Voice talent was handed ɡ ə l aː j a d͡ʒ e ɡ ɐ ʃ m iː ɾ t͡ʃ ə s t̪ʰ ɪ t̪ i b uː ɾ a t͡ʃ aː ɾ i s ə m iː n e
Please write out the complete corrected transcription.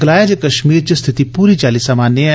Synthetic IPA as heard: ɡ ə l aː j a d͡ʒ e k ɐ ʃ m iː ɾ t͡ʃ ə s t̪ʰ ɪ t̪ i p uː ɾ i t͡ʃ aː l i s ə m aː n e